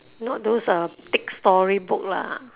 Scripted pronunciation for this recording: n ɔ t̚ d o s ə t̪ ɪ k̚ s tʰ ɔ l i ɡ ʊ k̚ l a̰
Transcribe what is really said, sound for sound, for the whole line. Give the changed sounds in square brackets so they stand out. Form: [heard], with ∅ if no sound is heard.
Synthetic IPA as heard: n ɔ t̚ d o s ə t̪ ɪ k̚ s [t] ɔ [ɹ] i [b] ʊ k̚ l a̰